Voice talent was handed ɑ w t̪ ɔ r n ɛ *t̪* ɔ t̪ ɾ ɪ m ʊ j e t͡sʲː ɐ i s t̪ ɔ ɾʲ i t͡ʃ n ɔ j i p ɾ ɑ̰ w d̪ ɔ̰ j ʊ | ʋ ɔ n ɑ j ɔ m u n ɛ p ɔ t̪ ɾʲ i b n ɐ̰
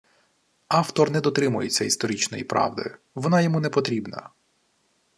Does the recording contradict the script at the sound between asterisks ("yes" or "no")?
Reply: yes